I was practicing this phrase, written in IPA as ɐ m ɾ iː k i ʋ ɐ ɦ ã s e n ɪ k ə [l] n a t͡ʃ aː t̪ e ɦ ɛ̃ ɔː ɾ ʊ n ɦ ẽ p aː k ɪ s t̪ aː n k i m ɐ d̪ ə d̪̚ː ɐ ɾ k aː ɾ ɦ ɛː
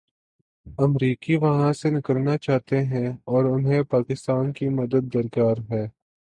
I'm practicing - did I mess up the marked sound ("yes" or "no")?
yes